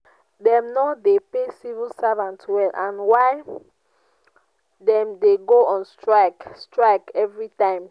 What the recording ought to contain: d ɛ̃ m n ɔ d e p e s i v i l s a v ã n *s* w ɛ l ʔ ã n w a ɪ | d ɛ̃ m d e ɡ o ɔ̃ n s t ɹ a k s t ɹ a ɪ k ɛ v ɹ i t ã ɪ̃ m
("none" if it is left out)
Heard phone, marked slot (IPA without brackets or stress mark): t